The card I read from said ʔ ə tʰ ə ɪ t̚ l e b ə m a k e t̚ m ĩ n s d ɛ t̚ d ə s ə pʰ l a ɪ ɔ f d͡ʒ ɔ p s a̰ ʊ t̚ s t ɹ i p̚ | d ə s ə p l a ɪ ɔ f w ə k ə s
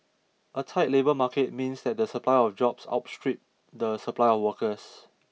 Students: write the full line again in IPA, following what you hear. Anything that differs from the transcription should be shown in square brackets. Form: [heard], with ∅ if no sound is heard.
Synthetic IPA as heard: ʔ ə tʰ [a] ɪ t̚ l e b ə m a k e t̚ m ĩ n s d ɛ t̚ d ə s ə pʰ l a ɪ ɔ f d͡ʒ ɔ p s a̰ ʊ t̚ s t ɹ i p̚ | d ə s ə p l a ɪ ɔ f w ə k ə s